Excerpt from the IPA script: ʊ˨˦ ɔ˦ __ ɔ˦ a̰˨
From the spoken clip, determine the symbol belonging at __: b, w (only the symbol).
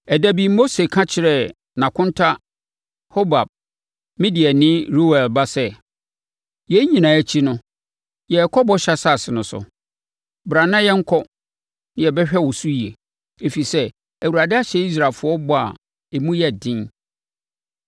b